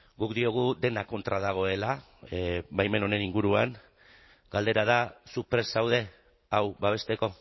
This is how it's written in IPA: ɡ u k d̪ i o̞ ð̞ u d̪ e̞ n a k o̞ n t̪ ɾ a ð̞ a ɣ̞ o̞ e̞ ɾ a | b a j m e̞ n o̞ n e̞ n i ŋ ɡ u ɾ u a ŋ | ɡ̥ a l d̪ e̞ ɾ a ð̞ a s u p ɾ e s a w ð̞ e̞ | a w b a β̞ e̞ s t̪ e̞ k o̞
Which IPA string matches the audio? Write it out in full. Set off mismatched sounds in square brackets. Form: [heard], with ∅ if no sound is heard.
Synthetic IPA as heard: ɡ u k d̪ i o̞ [ɣ̞] u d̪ e̞ n a k o̞ n t̪ ɾ a ð̞ a ɣ̞ o̞ e̞ [l] a | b a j m e̞ n o̞ n e̞ n i ŋ ɡ u ɾ u a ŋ | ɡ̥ a l d̪ e̞ ɾ a ð̞ a s u p ɾ e s a w ð̞ e̞ | a w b a β̞ e̞ s t̪ e̞ k o̞

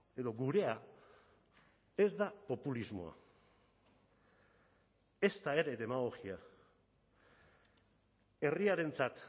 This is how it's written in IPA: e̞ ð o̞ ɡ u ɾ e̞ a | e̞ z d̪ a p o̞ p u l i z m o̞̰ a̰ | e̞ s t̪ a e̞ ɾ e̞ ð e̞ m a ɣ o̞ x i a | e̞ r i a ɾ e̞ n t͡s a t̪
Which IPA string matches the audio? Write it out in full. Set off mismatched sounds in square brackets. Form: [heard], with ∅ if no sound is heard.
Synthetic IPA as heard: e̞ ð o̞ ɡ u ɾ e̞ a | e̞ z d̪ a p o̞ p u l i z m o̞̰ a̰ | e̞ s t̪ a e̞ ɾ e̞ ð e̞ m a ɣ o̞ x i a | e̞ r i a ɾ e̞ n t͡s a t̪

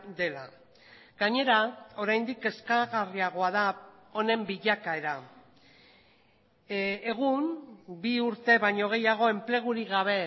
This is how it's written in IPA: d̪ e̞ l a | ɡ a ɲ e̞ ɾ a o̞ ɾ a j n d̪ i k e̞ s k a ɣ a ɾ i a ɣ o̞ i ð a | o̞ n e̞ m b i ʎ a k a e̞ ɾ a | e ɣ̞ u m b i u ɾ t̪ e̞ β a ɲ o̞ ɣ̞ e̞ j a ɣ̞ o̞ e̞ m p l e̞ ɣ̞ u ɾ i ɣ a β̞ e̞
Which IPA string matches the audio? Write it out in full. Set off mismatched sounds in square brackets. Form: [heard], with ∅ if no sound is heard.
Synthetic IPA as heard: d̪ e̞ l a | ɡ a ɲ e̞ ɾ a o̞ ɾ a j n d̪ i k e̞ s k a ɣ a [r] i a ɣ o̞ [a] ð a | o̞ n e̞ m b i ʎ a k a e̞ ɾ a | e ɣ̞ u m b i u ɾ t̪ e̞ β a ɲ o̞ ɣ̞ e̞ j a ɣ̞ o̞ e̞ m p l e̞ ɣ̞ u ɾ i ɣ a β̞ e̞

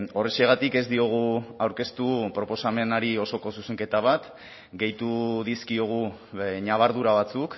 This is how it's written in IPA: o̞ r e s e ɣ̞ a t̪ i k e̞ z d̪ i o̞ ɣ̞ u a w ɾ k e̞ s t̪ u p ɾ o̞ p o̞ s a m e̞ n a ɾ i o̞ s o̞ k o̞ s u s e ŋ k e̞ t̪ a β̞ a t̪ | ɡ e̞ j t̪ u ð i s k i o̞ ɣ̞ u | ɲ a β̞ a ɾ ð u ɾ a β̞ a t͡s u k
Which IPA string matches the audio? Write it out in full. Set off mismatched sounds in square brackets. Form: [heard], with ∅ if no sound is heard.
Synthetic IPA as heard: o̞ r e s e ɣ̞ a t̪ i k e̞ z d̪ i o̞ ɣ̞ u a w ɾ k e̞ s t̪ u p ɾ o̞ p o̞ s a m e̞ n a ɾ i o̞ s o̞ k o̞ s u s e ŋ k e̞ t̪ a β̞ a t̪ | ɡ e̞ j t̪ u ð i s k i o̞ ɣ̞ u | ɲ a β̞ a ɾ ð u ɾ a β̞ a t͡s u k

